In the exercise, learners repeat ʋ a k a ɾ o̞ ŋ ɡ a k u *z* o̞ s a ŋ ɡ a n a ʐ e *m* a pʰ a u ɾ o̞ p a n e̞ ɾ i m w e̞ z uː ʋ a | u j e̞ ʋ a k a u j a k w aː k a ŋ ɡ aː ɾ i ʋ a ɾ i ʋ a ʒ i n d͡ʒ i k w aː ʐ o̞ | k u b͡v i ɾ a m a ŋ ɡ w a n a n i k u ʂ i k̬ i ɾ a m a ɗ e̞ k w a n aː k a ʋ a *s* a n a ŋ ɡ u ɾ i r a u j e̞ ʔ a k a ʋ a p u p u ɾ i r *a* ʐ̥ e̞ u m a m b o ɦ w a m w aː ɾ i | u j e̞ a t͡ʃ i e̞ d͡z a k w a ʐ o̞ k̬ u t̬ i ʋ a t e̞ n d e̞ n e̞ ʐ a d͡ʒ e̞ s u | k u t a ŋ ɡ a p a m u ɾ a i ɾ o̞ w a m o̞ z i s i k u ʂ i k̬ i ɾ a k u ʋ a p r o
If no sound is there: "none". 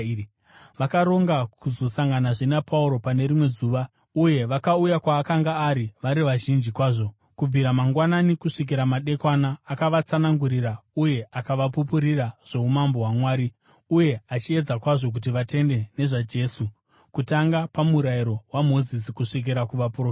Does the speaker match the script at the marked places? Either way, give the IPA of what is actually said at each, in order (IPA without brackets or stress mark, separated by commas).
z, n, t͡s, a